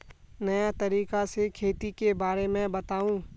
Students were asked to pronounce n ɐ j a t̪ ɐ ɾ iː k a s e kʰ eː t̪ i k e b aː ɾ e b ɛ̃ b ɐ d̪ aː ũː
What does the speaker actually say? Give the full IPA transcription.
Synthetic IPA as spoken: n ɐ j a t̪ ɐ ɾ iː k a s e kʰ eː t̪ i k e b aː ɾ e m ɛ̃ b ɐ t̪ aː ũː